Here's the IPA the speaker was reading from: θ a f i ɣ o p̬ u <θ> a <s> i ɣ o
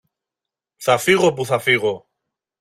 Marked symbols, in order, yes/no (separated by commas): yes, no